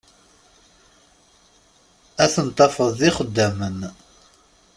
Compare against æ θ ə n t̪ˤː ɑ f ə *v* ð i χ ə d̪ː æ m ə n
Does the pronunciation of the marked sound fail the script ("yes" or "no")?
yes